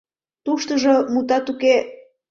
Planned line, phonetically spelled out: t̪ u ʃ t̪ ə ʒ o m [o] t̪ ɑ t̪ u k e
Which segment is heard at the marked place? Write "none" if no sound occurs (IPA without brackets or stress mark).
u